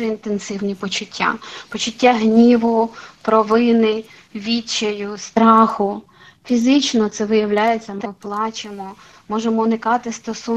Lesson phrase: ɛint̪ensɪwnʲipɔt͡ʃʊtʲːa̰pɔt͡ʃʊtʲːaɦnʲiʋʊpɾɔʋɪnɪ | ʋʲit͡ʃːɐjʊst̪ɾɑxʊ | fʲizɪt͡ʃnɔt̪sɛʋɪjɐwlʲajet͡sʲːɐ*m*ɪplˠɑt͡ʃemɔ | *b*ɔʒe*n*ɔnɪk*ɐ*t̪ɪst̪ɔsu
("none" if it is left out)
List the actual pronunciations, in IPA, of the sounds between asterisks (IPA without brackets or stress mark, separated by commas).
m, m, m, ɑ